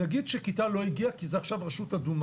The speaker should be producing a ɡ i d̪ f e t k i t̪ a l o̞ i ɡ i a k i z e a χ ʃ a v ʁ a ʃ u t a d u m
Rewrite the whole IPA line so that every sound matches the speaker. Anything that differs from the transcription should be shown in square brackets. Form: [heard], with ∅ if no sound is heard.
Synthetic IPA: a ɡ i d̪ [ʃ] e [∅] k i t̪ a l o̞ i ɡ i a k i z e a χ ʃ a v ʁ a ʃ u t a d u m